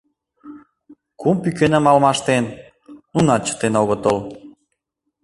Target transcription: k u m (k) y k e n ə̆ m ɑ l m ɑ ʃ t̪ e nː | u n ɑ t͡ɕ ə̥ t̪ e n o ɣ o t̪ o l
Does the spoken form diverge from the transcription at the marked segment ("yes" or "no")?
yes